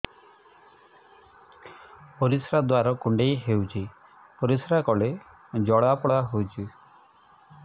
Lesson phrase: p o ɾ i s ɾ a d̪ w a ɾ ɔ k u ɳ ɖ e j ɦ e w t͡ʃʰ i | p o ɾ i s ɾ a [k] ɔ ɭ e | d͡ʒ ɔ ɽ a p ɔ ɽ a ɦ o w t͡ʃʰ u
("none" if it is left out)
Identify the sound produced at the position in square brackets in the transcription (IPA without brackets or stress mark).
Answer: k